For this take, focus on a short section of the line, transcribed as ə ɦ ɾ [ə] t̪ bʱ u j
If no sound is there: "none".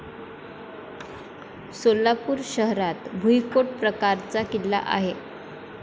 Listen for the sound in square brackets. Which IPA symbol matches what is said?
a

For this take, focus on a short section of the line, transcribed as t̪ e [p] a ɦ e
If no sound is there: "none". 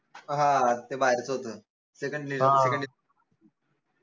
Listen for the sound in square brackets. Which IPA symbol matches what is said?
b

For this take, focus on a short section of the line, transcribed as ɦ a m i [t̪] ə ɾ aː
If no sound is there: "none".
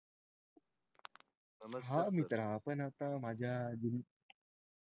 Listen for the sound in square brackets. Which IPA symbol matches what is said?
t̪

